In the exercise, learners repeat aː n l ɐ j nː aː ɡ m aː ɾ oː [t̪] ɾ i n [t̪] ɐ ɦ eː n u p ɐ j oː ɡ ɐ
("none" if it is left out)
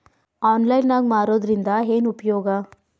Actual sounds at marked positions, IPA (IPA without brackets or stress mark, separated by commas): d̪, d̪